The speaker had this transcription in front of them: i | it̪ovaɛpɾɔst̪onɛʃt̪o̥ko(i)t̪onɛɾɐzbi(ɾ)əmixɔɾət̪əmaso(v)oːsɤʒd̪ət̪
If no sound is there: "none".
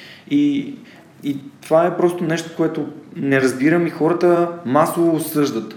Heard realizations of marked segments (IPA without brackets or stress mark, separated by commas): ɛ, ɾ, v